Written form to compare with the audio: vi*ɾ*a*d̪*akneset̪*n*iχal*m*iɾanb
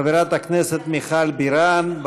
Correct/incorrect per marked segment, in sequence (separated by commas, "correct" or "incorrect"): correct, incorrect, incorrect, incorrect